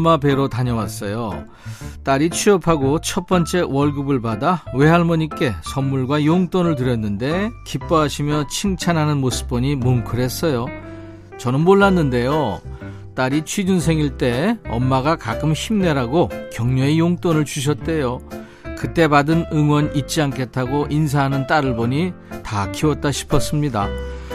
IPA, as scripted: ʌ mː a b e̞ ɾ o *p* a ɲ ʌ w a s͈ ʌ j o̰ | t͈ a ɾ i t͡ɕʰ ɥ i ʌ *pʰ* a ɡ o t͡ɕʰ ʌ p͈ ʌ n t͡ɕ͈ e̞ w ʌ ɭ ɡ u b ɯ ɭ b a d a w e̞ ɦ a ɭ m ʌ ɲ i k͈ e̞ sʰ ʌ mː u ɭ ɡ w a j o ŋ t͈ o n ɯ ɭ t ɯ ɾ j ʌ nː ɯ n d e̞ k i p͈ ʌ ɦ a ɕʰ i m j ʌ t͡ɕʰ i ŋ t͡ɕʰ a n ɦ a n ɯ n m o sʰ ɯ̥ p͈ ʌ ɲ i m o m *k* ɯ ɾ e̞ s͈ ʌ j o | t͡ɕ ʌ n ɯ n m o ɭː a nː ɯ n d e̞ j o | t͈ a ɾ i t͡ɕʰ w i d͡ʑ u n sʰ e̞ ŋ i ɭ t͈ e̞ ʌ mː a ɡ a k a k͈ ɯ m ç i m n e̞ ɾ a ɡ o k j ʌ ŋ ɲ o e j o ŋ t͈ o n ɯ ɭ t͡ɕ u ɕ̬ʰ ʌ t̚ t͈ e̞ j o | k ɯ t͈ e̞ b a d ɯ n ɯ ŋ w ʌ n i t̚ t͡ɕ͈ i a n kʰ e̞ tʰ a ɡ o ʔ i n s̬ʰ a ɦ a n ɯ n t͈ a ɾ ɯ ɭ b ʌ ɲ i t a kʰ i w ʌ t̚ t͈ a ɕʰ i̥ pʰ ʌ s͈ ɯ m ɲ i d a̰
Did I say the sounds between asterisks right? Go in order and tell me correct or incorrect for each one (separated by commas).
incorrect, correct, incorrect